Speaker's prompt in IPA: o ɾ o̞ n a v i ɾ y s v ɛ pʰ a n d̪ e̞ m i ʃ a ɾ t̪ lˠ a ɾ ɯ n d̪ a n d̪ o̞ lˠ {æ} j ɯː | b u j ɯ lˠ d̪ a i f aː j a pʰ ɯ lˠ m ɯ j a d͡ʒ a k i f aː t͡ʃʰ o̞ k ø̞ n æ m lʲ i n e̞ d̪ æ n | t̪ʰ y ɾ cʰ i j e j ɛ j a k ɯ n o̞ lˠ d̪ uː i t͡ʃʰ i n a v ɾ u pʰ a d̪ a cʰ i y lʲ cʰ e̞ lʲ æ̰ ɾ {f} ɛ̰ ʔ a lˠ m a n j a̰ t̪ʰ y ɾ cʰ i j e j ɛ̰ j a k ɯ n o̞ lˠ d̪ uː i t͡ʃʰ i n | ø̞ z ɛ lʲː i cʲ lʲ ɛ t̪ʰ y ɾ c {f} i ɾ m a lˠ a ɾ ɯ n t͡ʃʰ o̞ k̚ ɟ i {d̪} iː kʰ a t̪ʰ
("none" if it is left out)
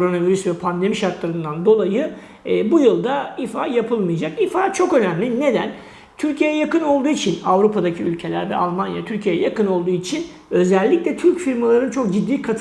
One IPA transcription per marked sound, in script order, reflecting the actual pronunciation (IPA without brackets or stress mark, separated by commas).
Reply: a, v, f, d̪ː